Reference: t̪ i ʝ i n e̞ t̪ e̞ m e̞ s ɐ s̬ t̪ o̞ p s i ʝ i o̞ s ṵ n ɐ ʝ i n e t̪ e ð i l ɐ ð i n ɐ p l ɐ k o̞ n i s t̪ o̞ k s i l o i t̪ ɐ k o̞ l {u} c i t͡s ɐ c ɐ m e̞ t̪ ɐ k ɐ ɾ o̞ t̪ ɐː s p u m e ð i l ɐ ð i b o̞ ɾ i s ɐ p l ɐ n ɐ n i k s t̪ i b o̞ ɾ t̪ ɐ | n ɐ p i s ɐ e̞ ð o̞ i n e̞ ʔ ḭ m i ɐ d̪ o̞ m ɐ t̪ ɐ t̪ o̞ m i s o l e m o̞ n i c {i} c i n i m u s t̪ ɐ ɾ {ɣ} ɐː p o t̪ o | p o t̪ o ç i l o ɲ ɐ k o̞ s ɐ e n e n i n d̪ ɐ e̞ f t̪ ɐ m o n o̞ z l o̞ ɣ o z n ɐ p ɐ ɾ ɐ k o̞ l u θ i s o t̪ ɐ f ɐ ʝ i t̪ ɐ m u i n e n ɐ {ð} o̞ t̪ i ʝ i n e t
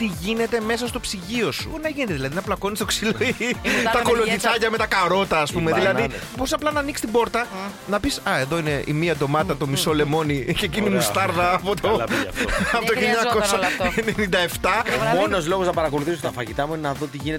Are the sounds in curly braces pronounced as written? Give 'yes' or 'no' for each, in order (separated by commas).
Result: no, no, no, yes